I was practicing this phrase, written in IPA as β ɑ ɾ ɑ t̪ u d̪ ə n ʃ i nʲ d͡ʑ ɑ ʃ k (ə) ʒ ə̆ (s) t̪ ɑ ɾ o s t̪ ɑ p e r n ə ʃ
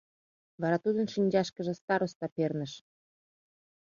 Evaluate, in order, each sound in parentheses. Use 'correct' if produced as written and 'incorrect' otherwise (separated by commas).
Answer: correct, correct